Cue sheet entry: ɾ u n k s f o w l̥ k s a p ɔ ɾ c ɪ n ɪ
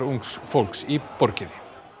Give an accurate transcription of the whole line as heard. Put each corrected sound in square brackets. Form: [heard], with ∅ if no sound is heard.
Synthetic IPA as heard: ɾ u [ŋ] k s f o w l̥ k s [i] p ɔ ɾ c ɪ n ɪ

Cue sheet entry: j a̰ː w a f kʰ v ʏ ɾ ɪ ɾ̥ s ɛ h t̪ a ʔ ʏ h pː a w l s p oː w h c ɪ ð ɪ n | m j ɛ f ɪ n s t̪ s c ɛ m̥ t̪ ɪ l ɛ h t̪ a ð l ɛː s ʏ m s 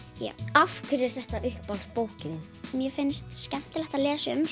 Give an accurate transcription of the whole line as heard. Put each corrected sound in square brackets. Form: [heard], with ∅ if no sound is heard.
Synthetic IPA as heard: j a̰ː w a f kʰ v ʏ ɾ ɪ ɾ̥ [θ] ɛ h t̪ a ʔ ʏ h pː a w l s p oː w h c ɪ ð ɪ n | m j ɛ f ɪ n s t̪ s c ɛ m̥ t̪ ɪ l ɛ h t̪ a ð l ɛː s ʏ m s

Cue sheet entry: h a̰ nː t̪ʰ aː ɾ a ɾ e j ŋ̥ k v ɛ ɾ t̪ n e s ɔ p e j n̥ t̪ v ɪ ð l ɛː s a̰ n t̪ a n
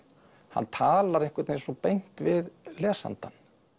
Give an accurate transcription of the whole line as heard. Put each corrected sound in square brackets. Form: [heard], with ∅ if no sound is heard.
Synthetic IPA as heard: h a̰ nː t̪ʰ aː [l] a ɾ e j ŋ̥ k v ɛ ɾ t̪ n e s ɔ p e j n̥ t̪ v ɪ ð l ɛː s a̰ n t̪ a n

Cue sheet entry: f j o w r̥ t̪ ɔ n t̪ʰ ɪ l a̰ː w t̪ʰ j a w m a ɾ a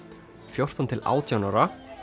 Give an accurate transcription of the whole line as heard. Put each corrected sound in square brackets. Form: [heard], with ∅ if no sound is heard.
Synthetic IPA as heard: f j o w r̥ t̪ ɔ n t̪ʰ ɪ l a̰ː w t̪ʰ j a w [n] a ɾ a

